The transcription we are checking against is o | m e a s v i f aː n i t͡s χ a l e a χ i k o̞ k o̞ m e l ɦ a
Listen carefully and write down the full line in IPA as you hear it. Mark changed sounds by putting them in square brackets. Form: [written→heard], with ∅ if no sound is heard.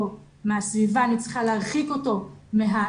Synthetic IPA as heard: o | m e a s v i [f→v] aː n i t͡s χ a l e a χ i k o̞ [k→t] o̞ m e [l→∅] ɦ a